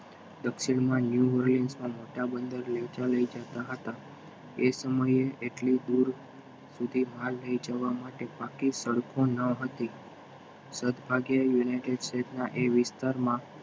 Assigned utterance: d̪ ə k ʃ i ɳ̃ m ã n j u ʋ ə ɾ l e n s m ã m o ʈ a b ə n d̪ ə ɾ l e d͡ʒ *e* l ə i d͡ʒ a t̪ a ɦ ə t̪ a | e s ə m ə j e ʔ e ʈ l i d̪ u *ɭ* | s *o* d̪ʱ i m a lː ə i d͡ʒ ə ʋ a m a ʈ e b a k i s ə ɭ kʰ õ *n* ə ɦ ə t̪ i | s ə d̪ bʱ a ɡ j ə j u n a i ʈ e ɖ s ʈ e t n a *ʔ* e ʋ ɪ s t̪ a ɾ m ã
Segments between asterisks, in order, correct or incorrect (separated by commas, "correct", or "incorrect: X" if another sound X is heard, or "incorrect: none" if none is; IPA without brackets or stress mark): incorrect: a, incorrect: ɾ, incorrect: u, correct, correct